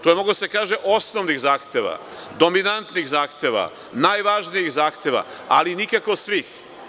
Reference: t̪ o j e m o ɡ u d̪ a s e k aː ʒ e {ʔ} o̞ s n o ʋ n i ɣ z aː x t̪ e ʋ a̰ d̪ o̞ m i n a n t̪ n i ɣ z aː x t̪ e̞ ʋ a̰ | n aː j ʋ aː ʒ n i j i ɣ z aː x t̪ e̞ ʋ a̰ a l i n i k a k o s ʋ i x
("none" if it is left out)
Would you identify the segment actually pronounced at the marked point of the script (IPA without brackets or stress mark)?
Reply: ʔ